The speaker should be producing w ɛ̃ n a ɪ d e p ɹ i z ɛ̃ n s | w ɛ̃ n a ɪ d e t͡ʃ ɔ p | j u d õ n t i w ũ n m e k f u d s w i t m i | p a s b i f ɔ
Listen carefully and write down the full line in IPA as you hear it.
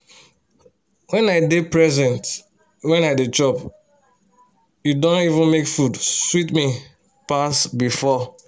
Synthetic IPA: w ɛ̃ n a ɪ d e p ɹ ɛ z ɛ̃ n t | w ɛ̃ n a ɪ d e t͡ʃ ɔ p | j u d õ n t i v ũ n m e k f u d s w i t m i | p a s b i f ɔ